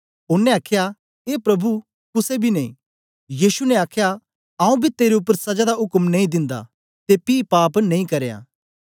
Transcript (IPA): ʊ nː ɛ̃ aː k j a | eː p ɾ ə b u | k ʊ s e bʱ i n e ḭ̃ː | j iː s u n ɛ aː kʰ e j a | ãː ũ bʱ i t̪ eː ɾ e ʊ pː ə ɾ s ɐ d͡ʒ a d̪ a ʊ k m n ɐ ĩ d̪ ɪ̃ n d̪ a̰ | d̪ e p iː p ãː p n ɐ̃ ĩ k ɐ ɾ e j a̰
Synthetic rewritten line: ʊ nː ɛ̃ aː kʰ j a | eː p ɾ ɐ b u | k ʊ s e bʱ i n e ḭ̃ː | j iː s u n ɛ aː kʰ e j a | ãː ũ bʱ i t̪ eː ɾ e ʊ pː ə ɾ s ɐ d͡ʒ a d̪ a ʊ k m n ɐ ĩ d̪ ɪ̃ n d̪ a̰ | t̪ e p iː p aː p n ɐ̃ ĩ k ɐ ɾ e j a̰